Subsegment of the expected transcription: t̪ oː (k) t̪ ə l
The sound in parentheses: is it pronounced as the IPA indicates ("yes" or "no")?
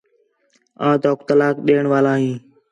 yes